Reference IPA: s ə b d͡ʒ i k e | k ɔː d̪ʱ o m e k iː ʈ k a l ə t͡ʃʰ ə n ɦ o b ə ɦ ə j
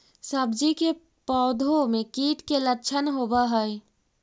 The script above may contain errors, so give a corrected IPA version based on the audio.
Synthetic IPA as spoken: s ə b d͡ʒ i k e | p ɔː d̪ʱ o m e k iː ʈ k e l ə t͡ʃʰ ə n ɦ o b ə ɦ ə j

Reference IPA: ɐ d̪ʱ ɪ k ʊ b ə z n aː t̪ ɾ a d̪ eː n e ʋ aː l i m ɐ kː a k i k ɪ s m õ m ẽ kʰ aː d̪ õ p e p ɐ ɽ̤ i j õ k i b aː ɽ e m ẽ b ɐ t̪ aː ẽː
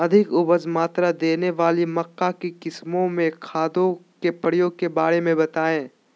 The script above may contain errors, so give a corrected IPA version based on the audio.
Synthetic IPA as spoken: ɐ d̪ʱ ɪ k ʊ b ə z m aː t̪ ɾ a d̪ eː n e ʋ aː l i m ɐ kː a k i k ɪ s m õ m ẽ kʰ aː d̪ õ k e p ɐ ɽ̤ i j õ k e b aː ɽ e m ẽ b ɐ t̪ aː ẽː

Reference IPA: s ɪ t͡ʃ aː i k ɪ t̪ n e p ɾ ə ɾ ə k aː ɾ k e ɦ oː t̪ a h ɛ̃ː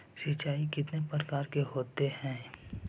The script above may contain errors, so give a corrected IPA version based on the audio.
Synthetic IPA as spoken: s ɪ t͡ʃ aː i k ɪ t̪ n e p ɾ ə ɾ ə k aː ɾ k e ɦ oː t̪ e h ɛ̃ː

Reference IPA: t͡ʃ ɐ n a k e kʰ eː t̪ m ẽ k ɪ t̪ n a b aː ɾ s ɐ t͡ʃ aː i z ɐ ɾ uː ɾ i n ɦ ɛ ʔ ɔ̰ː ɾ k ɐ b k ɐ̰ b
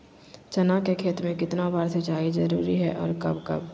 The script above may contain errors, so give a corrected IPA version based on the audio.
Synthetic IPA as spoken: t͡ʃ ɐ n a k e kʰ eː t̪ m ẽ k ɪ t̪ n a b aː ɾ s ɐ t͡ʃ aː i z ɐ ɾ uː ɾ i ɦ ɛ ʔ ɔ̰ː ɾ k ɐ b k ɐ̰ b

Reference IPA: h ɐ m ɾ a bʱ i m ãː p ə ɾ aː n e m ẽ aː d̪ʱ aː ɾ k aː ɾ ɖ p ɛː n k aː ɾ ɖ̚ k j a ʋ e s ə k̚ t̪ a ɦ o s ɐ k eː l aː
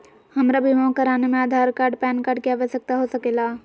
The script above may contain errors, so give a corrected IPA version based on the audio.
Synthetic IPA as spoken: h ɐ m ɾ a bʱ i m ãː k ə ɾ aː n e m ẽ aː d̪ʱ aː ɾ k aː ɾ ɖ p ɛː n k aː ɾ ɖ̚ k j a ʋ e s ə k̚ t̪ a ɦ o s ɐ k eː l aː

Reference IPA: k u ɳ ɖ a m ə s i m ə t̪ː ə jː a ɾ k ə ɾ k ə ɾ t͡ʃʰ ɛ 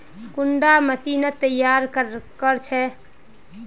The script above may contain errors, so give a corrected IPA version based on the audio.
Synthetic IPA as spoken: k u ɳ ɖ a m ə s i n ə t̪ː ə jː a ɾ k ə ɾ k ə ɾ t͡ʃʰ ɛ

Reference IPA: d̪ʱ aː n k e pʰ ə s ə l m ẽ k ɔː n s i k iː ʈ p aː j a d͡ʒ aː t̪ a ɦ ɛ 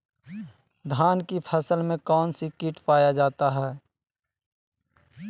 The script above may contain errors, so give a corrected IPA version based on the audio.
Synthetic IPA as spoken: d̪ʱ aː n k i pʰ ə s ə l m ẽ k ɔː n s i k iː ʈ p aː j a d͡ʒ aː t̪ a ɦ ɛː

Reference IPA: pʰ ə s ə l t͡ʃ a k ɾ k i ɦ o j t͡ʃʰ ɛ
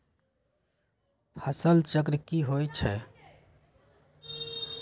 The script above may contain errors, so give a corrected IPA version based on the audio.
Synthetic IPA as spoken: pʰ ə s ə l t͡ʃ ə k ɾ k i ɦ o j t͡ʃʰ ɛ

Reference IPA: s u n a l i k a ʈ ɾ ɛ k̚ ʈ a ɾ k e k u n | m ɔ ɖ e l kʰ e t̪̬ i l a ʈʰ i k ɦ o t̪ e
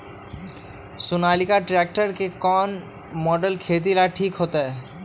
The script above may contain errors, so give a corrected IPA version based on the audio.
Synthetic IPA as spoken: s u n a l i k a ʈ ɾ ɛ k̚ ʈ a ɾ k e k ɔ n | m ɔ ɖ e l kʰ e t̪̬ i l a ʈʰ i k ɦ o t̪ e

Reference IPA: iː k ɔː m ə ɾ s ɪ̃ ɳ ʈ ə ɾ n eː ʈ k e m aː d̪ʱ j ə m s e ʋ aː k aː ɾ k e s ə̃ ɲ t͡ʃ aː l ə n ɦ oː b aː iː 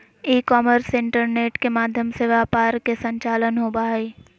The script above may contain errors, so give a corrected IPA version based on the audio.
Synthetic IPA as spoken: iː k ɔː m ə ɾ s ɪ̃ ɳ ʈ ə ɾ n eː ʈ k e m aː d̪ʱ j ə m s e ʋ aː p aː ɾ k e s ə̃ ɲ t͡ʃ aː l ə n ɦ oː b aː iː

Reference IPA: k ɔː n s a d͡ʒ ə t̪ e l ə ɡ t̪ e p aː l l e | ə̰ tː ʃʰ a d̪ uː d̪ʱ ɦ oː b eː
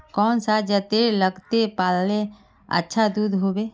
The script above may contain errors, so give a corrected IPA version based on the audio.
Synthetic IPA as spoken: k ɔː n s a d͡ʒ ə t̪ e l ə ɡ t̪ e p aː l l e | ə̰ tː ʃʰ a d̪ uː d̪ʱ ɦ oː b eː

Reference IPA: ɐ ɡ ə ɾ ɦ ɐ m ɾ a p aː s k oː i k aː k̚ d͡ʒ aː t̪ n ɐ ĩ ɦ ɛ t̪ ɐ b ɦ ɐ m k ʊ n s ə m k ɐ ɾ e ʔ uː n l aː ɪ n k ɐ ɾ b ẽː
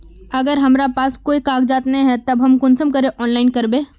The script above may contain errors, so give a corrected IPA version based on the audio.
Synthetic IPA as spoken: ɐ ɡ ə ɾ ɦ ɐ m ɾ a p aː s k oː i k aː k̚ d͡ʒ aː t̪ n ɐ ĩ ɦ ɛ t̪ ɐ b ɦ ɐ m k ʊ n s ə m k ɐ ɾ e ʔ ɔː n l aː ɪ n k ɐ ɾ b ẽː

